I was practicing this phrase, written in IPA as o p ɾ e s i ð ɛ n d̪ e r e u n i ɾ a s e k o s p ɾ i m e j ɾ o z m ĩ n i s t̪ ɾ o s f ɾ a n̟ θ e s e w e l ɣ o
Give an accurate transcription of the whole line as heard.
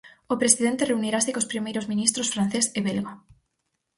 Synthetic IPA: o p ɾ e s i ð e n t̪ e r e u n i ɾ a s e k o s p ɾ i m e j ɾ o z m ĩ n i s t̪ ɾ o s f ɾ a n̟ θ e s e β e l ɣ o